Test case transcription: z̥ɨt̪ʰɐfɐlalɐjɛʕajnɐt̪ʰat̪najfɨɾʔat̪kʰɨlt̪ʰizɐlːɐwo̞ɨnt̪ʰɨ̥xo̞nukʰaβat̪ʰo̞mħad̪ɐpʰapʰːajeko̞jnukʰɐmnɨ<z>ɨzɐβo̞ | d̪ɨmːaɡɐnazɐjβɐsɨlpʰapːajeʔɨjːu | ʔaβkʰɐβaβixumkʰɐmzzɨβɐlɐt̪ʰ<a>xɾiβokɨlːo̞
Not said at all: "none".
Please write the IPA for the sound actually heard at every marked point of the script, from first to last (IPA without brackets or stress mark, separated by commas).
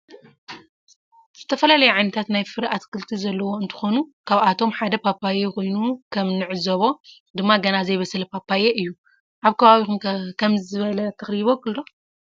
ʕ, ɐ